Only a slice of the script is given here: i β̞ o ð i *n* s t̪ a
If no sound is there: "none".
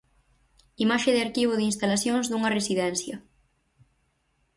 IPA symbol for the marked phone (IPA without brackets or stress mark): n